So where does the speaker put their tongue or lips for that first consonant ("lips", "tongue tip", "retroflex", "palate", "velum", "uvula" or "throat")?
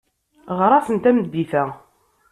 uvula